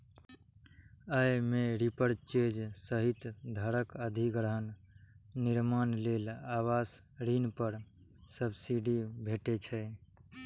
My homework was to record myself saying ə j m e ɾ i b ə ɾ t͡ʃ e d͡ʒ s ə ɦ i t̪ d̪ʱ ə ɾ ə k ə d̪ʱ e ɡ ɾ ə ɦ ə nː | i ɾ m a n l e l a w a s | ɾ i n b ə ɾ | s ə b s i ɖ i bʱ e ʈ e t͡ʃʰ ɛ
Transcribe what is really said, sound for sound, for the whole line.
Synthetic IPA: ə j m e ɾ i p ə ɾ t͡ʃ e d͡ʒ s ə ɦ i t̪ d̪ʱ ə ɾ ə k ə d̪ʱ i ɡ ɾ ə ɦ ə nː | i ɾ m a n l e l a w a s | ɾ i n p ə ɾ | s ə b s i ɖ i bʱ e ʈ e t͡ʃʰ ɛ